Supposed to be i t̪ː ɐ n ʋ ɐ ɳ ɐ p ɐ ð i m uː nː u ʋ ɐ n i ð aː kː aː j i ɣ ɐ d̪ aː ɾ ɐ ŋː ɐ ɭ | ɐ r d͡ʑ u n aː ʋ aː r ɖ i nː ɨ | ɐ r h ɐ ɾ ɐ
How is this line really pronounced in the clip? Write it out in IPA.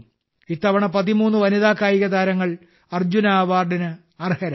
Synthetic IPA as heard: i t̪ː ɐ ʋ ɐ ɳ ɐ p ɐ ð i m uː nː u ʋ ɐ n i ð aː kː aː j i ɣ ɐ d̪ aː ɾ ɐ ŋː ɐ ɭ | ɐ r d͡ʑ u n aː ʋ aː r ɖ i n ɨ | ɐ r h ɐ ɾ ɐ

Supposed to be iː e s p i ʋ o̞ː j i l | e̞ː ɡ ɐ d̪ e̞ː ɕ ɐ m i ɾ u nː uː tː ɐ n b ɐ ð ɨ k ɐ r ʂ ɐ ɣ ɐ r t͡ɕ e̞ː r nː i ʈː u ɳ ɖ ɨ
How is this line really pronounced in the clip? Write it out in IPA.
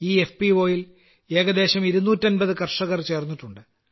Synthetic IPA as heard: iː e f p i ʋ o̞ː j i l | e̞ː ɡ ɐ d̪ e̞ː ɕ ɐ m i ɾ u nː uː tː ɐ n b ɐ ð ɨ k ɐ r ʂ ɐ ɣ ɐ r t͡ɕ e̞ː r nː i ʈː u ɳ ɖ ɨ

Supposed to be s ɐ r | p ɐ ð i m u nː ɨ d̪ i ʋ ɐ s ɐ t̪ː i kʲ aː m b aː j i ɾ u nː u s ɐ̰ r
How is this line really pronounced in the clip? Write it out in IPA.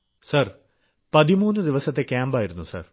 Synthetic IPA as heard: s ɐ r | p ɐ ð i m uː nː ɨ d̪ i ʋ ɐ s ɐ t̪ː e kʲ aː m b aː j i ɾ u nː u s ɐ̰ r

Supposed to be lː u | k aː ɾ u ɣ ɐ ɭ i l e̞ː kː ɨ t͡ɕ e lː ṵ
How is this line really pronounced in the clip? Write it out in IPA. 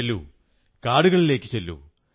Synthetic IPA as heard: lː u | k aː ɽ u ɣ ɐ ɭ i l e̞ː kː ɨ t͡ɕ e lː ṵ

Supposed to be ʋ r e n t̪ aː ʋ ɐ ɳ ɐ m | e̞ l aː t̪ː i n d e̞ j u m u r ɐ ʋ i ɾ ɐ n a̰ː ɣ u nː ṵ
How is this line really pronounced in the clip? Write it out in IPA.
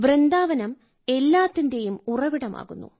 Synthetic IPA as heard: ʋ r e n d̪ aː ʋ ɐ n ɐ m | e̞ lː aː t̪ː i n d e̞ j u m u r ɐ ʋ i ɽ ɐ m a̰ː ɣ u nː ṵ

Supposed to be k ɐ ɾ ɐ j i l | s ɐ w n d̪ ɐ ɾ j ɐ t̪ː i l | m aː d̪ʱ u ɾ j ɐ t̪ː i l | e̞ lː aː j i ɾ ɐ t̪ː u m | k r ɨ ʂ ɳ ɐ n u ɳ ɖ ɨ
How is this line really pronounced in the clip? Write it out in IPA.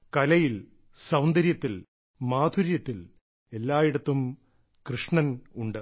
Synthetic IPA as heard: k ɐ l ɐ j i l | s ɐ w n d̪ ɐ ɾ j ɐ t̪ː i l | m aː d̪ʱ u ɾ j ɐ t̪ː i l | e̞ lː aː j i ɽ ɐ t̪ː u m | k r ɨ ʂ ɳ ɐ n u ɳ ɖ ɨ

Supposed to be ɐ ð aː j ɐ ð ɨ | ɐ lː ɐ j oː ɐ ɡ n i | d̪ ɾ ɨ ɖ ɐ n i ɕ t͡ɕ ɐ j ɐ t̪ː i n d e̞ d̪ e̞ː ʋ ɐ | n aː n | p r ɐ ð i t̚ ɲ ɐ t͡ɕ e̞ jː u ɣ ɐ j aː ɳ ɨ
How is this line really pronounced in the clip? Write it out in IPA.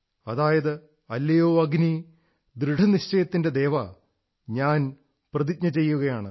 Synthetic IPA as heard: ɐ ð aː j ɐ ð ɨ | ɐ lː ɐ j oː ɐ ɡ n i | d̪ ɾ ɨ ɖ ɐ n i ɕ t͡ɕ ɐ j ɐ t̪ː i n d e̞ d̪ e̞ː ʋ ɐ | ɲ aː n | p r ɐ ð i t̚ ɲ ɐ t͡ɕ e̞ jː u ɣ ɐ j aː ɳ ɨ

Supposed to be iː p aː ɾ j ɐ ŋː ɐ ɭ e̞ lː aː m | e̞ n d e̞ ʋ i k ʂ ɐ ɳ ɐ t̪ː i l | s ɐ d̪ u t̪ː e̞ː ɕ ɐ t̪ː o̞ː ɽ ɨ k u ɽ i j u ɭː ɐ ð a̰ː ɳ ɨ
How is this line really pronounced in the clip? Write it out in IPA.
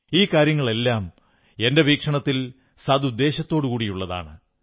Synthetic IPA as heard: iː k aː ɾ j ɐ ŋː ɐ ɭ e̞ lː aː m | e̞ n d e̞ ʋ iː k ʂ ɐ ɳ ɐ t̪ː i l | s ɐ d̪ u d̪ː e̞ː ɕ ɐ t̪ː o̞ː ɽ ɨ k uː ɽ i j u ɭː ɐ ð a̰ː ɳ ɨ

